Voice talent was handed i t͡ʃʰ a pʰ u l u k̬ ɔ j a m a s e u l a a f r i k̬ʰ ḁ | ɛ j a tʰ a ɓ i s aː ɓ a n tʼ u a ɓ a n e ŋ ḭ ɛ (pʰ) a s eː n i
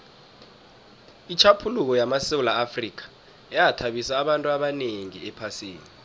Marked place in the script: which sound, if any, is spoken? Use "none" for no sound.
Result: pʰ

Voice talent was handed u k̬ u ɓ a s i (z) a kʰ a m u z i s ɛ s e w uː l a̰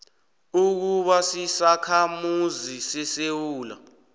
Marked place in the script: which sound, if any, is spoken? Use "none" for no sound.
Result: s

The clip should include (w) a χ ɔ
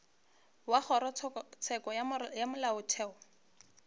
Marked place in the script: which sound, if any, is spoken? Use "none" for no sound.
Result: w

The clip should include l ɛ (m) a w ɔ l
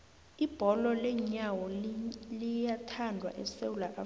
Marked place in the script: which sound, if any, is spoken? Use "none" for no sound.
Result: ɲ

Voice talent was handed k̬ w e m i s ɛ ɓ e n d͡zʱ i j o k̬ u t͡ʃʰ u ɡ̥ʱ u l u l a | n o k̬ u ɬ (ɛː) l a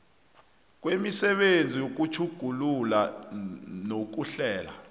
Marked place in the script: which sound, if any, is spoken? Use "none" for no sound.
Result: ɛː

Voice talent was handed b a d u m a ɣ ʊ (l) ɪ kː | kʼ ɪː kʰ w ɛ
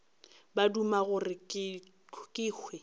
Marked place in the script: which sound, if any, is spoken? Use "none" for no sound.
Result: r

